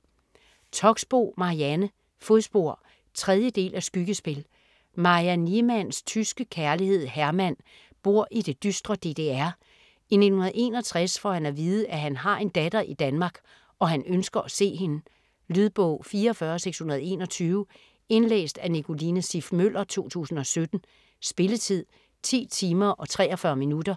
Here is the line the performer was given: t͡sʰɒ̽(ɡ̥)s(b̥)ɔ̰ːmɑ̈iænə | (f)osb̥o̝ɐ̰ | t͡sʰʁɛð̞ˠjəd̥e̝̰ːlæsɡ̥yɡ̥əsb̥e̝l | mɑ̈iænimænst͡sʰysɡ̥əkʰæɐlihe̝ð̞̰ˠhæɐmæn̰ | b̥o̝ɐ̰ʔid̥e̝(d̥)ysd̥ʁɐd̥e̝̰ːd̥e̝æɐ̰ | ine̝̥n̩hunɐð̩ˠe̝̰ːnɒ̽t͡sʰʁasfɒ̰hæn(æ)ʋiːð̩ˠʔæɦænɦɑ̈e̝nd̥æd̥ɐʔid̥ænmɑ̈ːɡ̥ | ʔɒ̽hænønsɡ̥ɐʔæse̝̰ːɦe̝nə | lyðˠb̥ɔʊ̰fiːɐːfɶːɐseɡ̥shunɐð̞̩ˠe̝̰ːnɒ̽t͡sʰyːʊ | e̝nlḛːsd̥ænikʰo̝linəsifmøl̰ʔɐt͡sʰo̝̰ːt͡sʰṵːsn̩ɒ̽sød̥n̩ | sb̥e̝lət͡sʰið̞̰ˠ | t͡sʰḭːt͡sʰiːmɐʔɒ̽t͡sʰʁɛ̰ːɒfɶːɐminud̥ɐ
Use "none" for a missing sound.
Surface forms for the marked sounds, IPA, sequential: ɡ̥, b̥, f, d̥, æ

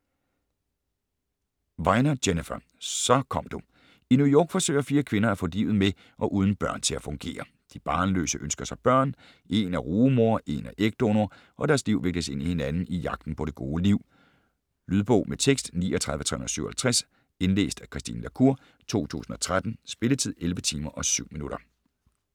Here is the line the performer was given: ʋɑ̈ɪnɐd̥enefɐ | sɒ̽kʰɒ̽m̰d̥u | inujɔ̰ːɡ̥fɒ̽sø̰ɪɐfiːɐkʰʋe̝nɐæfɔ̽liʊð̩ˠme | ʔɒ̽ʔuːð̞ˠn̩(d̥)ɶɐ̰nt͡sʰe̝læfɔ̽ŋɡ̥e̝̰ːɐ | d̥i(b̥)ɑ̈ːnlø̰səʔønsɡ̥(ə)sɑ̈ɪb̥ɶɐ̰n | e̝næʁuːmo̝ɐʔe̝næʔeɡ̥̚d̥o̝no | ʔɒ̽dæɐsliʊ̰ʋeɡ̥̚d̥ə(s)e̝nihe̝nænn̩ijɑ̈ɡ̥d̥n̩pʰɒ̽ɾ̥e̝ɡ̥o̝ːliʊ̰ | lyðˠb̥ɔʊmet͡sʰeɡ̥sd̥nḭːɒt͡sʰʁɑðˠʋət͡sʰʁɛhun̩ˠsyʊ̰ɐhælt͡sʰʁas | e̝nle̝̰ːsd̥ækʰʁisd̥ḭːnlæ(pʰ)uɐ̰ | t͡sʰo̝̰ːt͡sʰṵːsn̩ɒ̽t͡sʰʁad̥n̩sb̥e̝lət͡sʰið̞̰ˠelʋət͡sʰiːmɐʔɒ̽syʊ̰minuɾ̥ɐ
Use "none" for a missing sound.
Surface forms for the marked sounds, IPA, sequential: b̥, b̥, ɐ, s, kʰ

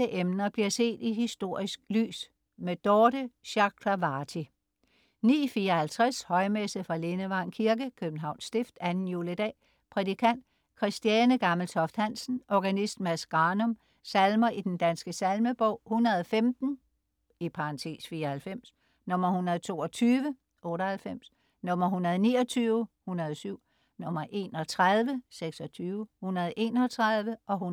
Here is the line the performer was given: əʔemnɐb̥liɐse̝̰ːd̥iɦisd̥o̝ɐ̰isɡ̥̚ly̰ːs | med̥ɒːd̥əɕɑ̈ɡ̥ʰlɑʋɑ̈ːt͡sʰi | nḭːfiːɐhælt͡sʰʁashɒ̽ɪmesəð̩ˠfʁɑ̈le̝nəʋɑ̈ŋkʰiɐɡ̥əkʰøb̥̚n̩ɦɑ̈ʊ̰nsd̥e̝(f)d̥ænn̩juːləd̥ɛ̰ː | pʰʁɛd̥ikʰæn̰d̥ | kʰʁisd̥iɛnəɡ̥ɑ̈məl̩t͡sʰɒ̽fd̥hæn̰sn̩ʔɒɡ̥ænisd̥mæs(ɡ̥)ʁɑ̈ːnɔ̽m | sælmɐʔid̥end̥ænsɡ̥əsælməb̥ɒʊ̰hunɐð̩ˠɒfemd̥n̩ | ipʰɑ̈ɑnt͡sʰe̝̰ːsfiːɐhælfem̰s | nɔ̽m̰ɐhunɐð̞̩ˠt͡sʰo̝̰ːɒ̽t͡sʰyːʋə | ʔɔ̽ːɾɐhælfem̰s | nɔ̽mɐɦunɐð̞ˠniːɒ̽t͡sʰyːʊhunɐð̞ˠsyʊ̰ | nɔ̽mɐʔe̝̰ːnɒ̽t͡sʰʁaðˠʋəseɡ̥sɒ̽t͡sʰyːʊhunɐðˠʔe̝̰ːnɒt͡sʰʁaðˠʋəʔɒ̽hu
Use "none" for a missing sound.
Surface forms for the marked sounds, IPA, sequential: f, ɡ̥

